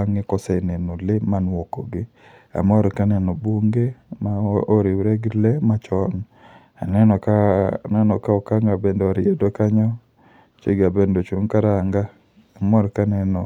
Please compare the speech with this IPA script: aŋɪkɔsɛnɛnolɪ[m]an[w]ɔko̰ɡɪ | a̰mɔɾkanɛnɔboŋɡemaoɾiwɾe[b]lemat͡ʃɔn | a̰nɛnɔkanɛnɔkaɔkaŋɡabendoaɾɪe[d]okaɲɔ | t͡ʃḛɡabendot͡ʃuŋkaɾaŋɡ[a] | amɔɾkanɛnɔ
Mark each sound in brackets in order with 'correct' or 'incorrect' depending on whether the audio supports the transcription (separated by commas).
correct, correct, incorrect, correct, correct